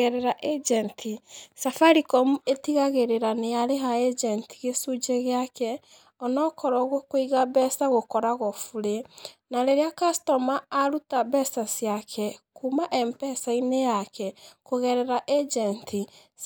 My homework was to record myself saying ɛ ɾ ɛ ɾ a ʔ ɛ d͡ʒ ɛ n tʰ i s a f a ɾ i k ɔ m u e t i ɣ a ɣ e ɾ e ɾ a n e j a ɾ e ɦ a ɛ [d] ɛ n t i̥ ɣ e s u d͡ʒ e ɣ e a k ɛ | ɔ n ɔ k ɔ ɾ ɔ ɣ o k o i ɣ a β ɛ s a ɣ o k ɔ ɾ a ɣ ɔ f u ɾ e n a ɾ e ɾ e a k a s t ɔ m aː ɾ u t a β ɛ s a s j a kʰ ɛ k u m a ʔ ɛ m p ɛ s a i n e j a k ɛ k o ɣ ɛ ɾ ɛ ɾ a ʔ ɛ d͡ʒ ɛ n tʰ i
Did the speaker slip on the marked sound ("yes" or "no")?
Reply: yes